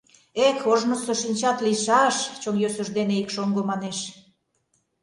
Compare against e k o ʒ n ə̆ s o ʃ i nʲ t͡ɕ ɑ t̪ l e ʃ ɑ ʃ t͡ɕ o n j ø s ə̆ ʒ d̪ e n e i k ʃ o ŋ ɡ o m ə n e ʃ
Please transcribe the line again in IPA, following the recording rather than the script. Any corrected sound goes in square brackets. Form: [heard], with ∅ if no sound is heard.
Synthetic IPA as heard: e k o ʒ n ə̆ s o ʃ i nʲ t͡ɕ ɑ t̪ l [i] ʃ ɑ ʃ t͡ɕ o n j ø s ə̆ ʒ d̪ e n e i k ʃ o ŋ ɡ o m [ɑ] n e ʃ